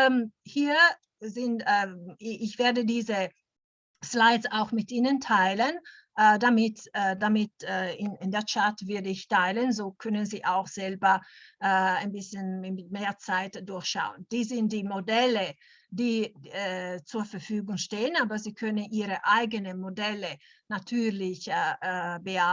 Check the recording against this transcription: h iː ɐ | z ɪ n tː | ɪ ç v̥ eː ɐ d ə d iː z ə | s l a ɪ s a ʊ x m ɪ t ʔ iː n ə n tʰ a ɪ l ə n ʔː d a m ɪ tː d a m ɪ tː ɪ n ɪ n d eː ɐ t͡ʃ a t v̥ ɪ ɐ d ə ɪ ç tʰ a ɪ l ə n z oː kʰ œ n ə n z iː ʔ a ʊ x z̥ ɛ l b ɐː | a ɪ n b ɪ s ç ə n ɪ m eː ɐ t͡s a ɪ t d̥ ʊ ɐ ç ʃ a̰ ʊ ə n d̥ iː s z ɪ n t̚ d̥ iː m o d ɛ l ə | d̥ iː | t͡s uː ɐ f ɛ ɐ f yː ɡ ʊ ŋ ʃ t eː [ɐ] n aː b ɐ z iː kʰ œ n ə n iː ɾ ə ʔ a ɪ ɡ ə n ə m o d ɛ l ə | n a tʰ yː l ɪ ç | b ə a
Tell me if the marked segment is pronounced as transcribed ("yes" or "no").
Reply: no